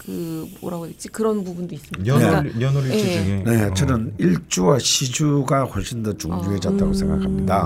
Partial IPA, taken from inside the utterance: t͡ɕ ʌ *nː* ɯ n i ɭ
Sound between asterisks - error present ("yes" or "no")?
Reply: yes